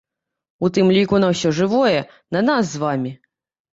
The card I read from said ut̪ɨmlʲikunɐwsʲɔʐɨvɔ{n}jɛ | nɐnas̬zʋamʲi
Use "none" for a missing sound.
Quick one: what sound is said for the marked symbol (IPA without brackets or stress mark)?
none